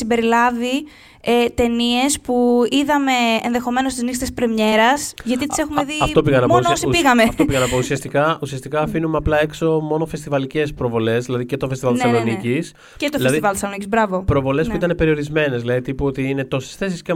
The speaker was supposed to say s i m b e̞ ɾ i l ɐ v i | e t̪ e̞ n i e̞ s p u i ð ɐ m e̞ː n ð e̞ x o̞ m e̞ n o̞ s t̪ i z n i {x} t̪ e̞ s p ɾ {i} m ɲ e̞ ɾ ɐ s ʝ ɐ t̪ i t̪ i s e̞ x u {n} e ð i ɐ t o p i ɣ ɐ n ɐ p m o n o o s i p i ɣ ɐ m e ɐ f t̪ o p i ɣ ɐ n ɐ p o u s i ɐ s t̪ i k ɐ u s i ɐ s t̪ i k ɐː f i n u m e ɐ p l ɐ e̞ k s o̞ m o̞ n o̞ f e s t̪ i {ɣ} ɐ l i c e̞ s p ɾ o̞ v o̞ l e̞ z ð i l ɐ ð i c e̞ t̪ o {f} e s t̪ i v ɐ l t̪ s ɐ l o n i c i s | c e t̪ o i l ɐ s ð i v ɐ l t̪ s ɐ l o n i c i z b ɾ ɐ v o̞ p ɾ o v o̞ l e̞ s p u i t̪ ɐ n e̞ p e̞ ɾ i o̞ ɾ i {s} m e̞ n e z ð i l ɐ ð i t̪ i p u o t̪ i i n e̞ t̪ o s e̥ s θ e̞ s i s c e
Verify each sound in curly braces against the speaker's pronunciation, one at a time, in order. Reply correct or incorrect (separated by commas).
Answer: incorrect, incorrect, incorrect, incorrect, correct, incorrect